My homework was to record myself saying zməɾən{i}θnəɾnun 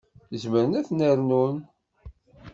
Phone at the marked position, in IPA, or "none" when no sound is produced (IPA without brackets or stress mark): æ